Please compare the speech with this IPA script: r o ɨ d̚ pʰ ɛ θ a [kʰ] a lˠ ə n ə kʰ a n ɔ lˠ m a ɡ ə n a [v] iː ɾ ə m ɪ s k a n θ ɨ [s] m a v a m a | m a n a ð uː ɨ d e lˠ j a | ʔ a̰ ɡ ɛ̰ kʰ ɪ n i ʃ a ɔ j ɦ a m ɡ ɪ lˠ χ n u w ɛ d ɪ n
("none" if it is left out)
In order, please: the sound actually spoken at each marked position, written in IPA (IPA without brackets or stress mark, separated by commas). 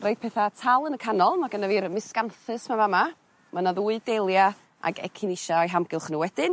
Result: tʰ, v, s